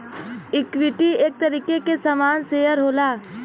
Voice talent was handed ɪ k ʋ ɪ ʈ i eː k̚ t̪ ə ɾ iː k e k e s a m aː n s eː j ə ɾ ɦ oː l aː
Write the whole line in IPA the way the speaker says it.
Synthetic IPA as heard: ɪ k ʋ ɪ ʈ i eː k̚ t̪ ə ɾ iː k e k e s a m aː n s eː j ə ɾ ɦ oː l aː